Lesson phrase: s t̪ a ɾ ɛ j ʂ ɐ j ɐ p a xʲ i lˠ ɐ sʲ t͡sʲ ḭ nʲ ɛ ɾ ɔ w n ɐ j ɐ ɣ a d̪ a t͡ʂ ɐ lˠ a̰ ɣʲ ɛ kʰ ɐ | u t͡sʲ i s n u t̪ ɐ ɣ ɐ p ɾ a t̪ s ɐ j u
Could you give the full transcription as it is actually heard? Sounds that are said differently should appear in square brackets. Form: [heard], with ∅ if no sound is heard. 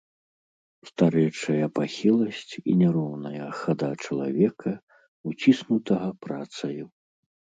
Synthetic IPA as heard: s t̪ a ɾ ɛ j [t͡ʂ] ɐ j ɐ p a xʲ i lˠ ɐ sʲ t͡sʲ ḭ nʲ ɛ ɾ ɔ w n ɐ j ɐ [x] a d̪ a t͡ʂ ɐ lˠ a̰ [vʲ] ɛ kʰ ɐ | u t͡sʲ i s n u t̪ ɐ ɣ ɐ p ɾ a t̪ s ɐ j u